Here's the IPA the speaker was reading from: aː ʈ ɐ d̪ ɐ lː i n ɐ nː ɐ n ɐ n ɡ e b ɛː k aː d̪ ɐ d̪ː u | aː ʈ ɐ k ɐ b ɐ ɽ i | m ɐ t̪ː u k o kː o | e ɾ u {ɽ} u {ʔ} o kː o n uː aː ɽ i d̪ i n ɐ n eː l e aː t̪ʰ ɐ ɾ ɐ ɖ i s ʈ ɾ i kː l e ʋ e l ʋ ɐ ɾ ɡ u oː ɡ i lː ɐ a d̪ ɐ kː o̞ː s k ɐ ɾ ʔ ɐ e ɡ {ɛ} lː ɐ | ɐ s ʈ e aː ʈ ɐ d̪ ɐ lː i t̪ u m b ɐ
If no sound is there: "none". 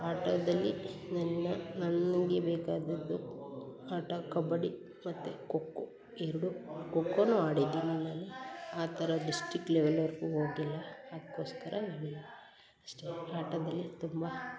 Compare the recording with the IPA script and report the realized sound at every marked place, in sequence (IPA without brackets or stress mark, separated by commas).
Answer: ɽ, k, i